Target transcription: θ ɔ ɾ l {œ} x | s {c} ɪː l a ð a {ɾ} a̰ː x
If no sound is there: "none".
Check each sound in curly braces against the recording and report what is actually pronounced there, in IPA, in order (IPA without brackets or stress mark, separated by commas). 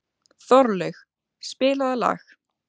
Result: ɛ, p, l